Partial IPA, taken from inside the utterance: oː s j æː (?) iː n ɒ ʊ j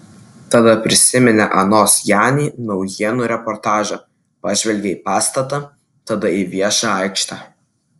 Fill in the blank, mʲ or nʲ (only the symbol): nʲ